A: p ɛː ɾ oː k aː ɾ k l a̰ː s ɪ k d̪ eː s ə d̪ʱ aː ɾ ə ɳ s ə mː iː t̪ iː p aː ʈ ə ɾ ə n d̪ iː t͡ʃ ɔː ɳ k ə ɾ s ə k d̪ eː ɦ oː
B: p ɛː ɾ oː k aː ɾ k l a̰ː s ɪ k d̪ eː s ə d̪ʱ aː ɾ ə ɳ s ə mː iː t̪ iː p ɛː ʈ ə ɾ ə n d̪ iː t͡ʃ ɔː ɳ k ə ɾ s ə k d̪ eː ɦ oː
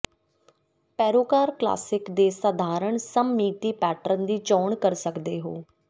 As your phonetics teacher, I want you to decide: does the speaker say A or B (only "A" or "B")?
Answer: B